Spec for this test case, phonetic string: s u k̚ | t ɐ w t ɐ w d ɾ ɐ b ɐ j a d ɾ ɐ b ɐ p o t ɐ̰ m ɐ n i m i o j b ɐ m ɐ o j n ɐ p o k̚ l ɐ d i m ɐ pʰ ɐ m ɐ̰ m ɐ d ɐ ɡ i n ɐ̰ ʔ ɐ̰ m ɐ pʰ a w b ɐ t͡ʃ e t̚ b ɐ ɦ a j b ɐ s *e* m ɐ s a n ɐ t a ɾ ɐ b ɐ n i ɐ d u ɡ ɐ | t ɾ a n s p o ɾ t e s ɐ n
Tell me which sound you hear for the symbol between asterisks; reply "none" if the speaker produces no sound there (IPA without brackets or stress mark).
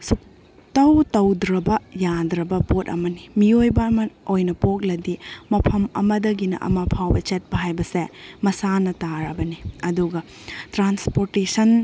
e